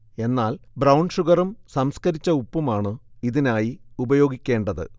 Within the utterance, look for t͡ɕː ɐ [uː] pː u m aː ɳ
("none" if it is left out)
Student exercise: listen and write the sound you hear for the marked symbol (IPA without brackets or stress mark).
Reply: u